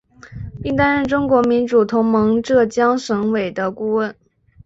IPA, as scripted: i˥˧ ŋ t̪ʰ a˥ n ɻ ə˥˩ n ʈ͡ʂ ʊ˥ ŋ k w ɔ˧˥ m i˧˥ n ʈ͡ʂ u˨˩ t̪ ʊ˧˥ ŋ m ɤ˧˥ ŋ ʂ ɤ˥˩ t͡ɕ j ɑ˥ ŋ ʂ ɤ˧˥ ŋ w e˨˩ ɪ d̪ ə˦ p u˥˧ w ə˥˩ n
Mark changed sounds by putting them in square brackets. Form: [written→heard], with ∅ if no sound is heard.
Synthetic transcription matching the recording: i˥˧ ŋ [t̪ʰ→t̪] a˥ n ɻ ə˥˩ n ʈ͡ʂ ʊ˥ ŋ k w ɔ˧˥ m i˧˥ n ʈ͡ʂ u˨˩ [t̪→t̪ʰ] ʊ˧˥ ŋ m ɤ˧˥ ŋ [ʂ→ʈ͡ʂ] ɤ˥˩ t͡ɕ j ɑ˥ ŋ ʂ ɤ˧˥ ŋ w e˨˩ ɪ d̪ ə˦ [p→k] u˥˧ w ə˥˩ n